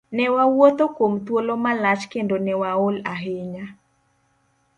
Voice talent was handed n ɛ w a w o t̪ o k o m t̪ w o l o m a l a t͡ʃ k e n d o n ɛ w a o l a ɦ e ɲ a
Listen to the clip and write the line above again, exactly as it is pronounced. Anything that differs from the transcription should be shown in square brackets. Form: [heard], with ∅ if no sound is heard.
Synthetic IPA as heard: n ɛ w a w o t̪ o k o m t̪ w o l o m a l a t͡ʃ k e n d o n ɛ w a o l a ɦ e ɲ a